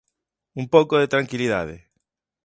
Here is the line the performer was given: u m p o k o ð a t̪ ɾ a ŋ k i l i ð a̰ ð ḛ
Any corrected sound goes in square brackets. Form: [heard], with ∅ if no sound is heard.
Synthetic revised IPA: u m p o k o ð [e] t̪ ɾ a ŋ k i l i ð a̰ ð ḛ